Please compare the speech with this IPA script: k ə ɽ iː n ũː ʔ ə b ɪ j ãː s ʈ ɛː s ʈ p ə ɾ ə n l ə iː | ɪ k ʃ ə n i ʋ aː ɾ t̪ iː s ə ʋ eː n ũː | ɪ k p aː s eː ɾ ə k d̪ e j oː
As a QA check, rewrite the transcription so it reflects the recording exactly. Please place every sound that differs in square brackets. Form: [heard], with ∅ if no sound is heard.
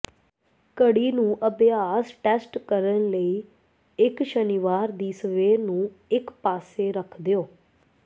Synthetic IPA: k ə ɽ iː n ũː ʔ ə b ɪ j [aː] s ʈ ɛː s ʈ [k] ə ɾ ə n l ə iː | ɪ k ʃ ə n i ʋ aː ɾ [d̪] iː s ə ʋ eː n ũː | ɪ k p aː s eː ɾ ə [kʰ] d̪ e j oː